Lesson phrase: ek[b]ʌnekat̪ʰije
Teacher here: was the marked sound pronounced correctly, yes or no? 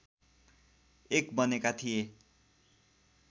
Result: yes